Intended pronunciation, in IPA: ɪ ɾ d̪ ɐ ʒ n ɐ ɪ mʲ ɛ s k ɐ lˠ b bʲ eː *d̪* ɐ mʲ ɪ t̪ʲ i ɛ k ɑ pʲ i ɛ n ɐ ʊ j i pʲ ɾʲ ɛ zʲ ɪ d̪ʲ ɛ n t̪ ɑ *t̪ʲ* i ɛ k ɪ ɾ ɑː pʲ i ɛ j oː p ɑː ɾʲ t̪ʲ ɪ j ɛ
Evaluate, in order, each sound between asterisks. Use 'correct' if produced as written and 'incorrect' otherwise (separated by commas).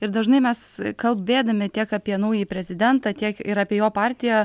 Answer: correct, correct